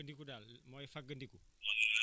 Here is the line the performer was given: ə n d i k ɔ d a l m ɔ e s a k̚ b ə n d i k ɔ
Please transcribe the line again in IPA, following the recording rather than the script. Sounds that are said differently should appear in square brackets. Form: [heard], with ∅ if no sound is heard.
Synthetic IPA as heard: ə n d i k [u] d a l m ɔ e [f] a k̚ [ɡ] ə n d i k [u]